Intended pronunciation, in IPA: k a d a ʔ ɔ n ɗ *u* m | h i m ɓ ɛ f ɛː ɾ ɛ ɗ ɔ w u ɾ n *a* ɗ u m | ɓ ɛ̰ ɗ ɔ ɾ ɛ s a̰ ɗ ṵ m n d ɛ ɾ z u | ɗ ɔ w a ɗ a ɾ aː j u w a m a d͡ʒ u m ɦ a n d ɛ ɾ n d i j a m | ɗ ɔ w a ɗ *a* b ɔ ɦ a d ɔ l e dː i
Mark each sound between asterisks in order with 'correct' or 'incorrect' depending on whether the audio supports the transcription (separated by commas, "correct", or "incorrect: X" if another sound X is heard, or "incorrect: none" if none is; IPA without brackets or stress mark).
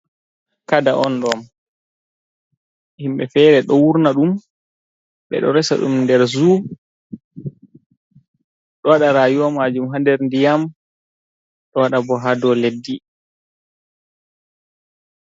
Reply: incorrect: ɔ, correct, correct